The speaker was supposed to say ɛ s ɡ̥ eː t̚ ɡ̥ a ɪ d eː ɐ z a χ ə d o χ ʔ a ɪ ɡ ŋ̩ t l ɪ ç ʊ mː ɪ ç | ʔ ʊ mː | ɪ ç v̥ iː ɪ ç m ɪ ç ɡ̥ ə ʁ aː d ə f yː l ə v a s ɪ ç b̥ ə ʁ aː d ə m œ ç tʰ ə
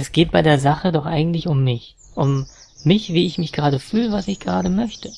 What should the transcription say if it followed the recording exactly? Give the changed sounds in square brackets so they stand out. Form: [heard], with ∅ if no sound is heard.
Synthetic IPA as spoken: ɛ s ɡ̥ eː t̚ [b̥] a ɪ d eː ɐ z a χ ə d [ɔ] χ ʔ a ɪ ɡ ŋ̩ t l ɪ ç ʊ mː ɪ ç | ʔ ʊ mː | ɪ ç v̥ iː ɪ ç m ɪ ç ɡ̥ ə ʁ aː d ə f yː l ə v a s ɪ ç [ɡ̥] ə ʁ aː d ə m œ ç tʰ ə

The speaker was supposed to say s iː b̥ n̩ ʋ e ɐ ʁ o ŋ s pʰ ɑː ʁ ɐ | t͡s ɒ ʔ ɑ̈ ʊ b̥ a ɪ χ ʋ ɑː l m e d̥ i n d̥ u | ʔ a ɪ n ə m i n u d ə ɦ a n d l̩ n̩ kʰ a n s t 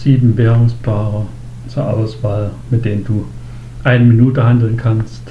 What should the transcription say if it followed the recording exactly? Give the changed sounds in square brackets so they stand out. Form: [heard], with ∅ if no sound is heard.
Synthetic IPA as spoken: s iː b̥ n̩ ʋ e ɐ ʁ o ŋ s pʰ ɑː ʁ ɐ | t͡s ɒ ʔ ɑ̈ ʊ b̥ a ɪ [s] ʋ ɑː l m e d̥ [e] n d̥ u | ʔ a ɪ n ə m i n u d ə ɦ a n d l̩ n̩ kʰ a n s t

